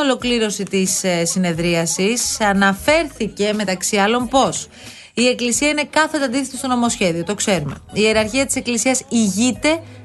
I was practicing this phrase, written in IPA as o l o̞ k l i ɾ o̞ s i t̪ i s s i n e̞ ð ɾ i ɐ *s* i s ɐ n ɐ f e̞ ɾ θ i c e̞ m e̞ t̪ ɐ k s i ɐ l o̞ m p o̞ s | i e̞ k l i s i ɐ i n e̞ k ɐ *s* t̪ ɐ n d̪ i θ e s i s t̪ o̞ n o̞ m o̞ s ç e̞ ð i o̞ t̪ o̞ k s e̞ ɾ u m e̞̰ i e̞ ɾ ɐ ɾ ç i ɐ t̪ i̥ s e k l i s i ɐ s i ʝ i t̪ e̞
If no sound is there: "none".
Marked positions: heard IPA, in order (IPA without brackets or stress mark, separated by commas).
s, θ